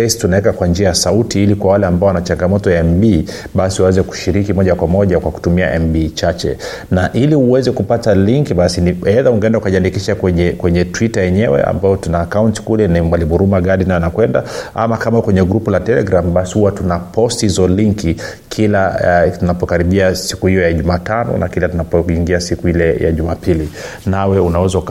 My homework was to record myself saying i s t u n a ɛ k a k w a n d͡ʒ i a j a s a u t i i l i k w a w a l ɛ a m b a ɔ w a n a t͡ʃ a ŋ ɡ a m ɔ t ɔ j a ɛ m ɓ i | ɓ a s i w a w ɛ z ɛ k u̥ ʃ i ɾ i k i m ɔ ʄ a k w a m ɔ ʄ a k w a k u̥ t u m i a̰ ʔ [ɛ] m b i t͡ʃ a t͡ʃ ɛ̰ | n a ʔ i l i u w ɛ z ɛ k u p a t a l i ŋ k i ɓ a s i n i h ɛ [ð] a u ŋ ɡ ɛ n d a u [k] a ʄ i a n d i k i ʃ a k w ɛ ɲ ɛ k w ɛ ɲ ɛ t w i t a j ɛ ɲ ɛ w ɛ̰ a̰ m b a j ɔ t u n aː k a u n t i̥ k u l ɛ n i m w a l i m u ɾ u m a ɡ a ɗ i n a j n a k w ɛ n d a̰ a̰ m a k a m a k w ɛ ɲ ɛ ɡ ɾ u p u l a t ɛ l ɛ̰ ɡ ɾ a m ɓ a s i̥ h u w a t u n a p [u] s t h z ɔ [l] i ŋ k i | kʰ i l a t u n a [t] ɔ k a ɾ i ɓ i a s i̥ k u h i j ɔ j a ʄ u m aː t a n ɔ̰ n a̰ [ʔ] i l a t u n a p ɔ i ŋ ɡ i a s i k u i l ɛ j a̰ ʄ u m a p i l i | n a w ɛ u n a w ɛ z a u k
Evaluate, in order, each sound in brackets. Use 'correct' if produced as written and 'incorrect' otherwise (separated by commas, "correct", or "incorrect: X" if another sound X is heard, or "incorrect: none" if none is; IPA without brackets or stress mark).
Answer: correct, correct, correct, incorrect: ɔ, correct, incorrect: p, incorrect: k